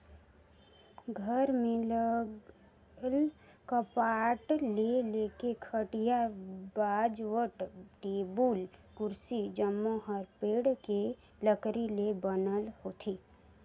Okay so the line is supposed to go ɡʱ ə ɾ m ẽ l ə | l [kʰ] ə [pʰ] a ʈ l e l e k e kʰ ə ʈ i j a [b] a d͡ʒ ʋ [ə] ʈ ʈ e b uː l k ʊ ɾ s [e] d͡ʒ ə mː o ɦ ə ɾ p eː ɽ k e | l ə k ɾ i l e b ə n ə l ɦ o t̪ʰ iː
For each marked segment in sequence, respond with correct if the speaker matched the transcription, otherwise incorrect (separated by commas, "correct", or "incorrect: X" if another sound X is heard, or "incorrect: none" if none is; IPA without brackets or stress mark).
incorrect: k, incorrect: p, correct, correct, incorrect: i